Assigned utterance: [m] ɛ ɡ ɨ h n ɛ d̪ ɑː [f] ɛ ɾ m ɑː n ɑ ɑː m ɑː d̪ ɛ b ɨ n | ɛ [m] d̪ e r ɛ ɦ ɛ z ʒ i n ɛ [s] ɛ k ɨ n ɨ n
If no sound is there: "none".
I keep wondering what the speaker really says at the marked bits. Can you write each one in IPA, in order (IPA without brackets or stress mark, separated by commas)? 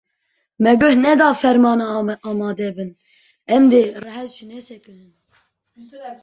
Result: m, f, m, s